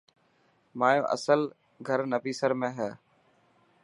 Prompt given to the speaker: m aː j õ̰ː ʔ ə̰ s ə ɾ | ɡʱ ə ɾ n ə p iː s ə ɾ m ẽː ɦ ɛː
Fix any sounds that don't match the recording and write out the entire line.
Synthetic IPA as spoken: m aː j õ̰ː ʔ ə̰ s ə l | ɡʱ ə ɾ n ə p iː s ə ɾ m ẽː ɦ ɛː

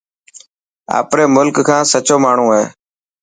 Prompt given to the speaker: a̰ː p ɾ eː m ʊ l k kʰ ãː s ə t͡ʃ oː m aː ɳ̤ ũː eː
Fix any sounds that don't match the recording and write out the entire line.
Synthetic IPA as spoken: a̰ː p ɾ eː m ʊ l k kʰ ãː s ə t͡ʃ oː m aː ɳ̤ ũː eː

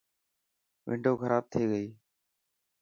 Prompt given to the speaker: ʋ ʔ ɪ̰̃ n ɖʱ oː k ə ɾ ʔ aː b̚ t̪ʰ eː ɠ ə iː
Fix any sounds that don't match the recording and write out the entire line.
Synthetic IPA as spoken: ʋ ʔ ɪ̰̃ ɳ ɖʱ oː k ə ɾ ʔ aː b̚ t̪ʰ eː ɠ ə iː

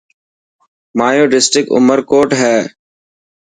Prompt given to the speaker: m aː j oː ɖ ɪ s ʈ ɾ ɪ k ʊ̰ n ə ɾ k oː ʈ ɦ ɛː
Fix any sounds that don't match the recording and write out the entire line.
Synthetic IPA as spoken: m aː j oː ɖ ɪ s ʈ ɾ ɪ k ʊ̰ m ə ɾ k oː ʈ ɦ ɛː

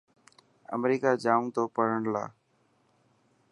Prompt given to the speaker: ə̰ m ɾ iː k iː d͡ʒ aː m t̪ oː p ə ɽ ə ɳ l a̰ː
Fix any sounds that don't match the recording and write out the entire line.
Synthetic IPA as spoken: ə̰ m ɾ iː k aː d͡ʒ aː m t̪ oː p ə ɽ ə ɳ l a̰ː

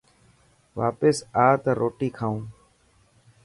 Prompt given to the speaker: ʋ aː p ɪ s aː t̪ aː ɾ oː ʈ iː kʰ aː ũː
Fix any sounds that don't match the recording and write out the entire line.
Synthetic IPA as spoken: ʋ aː p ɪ s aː t̪ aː ɾ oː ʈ iː kʰ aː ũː

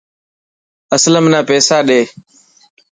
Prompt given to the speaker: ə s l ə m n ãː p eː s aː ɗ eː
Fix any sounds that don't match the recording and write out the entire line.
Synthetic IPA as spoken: ə s l ə m n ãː p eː s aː ɗ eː

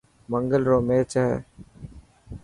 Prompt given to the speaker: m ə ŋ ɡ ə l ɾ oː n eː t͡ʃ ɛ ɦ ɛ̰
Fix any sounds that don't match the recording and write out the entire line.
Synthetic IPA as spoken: m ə ŋ ɡ ə l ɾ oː m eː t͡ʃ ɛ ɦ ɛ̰

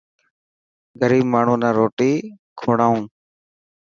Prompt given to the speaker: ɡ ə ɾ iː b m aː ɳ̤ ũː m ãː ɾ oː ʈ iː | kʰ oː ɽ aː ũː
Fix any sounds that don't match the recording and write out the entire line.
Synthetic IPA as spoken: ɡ ə ɾ iː b m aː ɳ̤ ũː n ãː ɾ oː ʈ iː | kʰ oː ɽ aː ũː

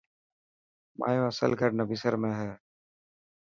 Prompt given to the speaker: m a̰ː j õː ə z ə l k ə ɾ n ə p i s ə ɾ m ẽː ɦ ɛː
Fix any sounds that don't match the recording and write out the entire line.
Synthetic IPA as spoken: m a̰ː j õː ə s ə l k ə ɾ n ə b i s ə ɾ m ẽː ɦ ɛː

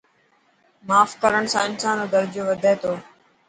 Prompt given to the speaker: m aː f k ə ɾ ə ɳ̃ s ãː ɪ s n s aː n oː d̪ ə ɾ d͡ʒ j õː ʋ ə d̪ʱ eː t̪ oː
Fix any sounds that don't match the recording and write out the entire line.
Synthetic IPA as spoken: m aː f k ə ɾ ə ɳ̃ s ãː ɪ n s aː n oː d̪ ə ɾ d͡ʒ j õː ʋ ə d̪ʱ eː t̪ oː

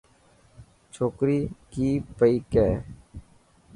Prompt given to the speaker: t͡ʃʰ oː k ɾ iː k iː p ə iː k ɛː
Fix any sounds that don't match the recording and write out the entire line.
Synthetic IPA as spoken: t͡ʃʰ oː k ɾ iː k iː p ə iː k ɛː

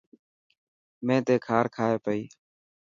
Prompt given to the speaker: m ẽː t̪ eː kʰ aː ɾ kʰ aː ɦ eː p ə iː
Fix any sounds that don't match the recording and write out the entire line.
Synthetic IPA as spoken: m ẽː t̪ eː kʰ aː ɾ kʰ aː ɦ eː p ə iː

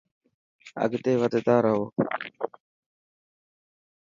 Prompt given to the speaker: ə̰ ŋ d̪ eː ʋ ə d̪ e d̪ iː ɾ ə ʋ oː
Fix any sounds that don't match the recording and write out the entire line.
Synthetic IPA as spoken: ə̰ ɡ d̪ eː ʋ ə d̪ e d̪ aː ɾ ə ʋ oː

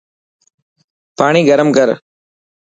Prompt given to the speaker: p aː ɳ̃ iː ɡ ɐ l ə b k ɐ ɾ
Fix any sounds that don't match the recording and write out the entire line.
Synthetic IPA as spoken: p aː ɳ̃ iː ɡ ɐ ɾ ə m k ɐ ɾ

